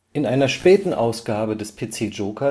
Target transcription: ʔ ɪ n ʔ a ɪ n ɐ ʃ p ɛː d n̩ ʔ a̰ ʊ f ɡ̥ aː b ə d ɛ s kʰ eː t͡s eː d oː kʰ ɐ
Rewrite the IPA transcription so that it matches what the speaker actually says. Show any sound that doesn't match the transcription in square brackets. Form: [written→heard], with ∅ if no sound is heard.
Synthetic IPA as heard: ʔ ɪ n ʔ a ɪ n ɐ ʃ p ɛː [d→t] n̩ ʔ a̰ ʊ [f→s] ɡ̥ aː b ə d ɛ s [kʰ→pʰ] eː t͡s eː [d→d͡ʒ] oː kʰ ɐ